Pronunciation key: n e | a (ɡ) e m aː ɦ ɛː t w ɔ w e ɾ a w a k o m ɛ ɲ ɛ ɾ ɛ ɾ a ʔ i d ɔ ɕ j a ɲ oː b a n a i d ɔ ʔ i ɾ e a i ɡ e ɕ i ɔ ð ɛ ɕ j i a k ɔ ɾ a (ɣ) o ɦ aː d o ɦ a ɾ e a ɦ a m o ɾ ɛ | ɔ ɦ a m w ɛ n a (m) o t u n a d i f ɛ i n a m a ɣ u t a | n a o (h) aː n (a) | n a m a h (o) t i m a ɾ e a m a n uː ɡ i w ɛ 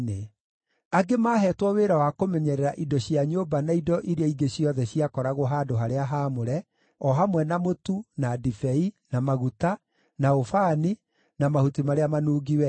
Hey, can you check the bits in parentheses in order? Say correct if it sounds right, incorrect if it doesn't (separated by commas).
correct, correct, correct, incorrect, incorrect, incorrect